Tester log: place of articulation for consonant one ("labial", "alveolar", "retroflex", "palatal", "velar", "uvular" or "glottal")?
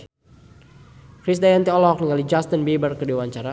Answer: velar